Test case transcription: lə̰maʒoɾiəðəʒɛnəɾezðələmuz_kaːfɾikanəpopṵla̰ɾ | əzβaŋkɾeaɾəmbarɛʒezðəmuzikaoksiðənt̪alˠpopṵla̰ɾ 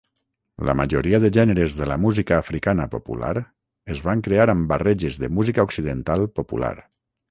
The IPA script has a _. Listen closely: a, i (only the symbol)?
i